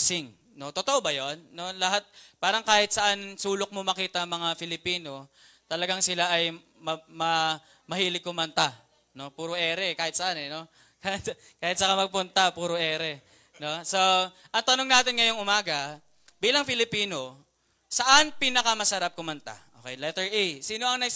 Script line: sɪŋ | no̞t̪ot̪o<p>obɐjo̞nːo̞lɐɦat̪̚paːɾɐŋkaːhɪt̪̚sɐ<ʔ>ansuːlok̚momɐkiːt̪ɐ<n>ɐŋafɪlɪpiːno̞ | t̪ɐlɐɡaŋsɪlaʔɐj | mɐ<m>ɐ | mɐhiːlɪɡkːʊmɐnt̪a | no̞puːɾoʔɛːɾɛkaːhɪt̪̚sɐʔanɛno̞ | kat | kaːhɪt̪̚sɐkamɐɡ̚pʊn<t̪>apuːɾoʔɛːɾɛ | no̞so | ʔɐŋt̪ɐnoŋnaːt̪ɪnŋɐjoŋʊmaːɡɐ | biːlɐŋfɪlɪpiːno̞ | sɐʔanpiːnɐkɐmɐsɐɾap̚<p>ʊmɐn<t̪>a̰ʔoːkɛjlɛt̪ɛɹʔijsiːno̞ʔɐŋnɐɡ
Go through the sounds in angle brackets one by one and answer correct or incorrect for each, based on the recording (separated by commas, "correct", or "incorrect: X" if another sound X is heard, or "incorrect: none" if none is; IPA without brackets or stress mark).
incorrect: ʔ, correct, incorrect: m, correct, correct, incorrect: k, correct